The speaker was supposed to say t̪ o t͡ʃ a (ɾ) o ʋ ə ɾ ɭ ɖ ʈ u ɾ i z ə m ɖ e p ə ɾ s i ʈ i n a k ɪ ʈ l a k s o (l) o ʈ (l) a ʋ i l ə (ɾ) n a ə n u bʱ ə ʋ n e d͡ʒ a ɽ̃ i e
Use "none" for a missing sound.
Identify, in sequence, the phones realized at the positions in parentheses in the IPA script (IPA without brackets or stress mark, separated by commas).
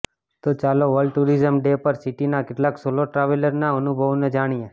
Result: l, l, ɾ, ɾ